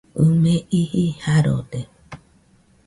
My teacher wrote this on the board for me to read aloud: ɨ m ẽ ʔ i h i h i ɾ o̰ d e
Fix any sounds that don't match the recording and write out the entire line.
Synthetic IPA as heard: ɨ m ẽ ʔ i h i h a ɾ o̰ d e